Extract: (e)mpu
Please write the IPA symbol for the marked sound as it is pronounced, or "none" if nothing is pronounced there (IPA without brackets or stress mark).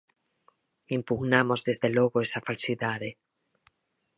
i